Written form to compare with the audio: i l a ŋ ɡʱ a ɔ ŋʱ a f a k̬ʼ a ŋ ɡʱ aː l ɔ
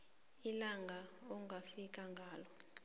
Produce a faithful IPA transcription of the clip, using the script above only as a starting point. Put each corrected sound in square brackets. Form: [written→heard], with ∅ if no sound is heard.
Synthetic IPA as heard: i l a ŋ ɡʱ a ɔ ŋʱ a f [a→i] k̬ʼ a ŋ ɡʱ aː l ɔ